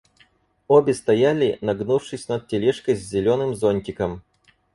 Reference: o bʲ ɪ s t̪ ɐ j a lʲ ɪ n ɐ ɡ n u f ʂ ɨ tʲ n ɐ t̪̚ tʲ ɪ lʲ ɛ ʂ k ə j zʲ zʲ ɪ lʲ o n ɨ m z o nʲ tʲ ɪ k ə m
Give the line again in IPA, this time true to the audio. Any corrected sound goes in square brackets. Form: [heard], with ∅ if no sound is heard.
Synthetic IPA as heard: o bʲ ɪ s t̪ ɐ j a lʲ ɪ n ɐ ɡ n u f ʂ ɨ [sʲ] n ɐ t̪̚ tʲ ɪ lʲ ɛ ʂ k ə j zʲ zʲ ɪ lʲ o n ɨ m z o nʲ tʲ ɪ k ə m